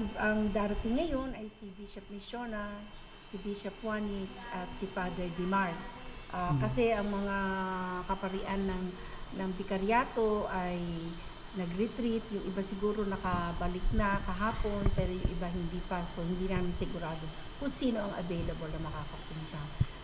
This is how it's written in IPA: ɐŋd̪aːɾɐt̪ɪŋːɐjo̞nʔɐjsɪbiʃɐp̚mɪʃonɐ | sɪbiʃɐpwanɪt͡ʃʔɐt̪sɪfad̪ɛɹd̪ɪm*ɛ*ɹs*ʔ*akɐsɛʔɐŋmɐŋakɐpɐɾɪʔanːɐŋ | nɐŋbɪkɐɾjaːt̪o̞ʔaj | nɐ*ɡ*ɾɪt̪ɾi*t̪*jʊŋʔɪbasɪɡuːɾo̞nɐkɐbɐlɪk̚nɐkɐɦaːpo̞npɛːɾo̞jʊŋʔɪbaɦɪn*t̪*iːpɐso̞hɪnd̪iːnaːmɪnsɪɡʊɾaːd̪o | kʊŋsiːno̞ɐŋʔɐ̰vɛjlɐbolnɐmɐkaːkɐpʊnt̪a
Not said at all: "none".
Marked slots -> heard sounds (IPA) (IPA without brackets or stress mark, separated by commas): a, ʔ, ɡ, t̪, d̪